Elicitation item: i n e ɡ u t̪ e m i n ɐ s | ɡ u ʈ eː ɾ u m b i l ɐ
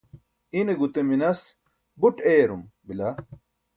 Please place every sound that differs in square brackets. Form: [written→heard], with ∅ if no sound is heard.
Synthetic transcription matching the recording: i n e ɡ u t̪ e m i n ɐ s | [ɡ→b] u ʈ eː ɾ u m b i l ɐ